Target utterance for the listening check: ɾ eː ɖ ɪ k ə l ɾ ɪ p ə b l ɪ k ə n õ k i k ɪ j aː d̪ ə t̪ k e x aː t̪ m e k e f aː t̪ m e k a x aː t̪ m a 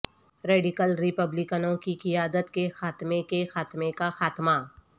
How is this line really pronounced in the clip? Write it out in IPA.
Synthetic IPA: ɾ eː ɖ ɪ k ə l ɾ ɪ p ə b l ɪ k ə n õ k i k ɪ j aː d̪ ə t̪ k e x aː t̪ m e k e x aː t̪ m e k a x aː t̪ m a